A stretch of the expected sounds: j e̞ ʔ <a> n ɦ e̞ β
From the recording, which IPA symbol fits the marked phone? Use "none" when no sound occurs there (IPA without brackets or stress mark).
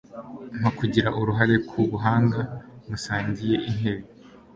i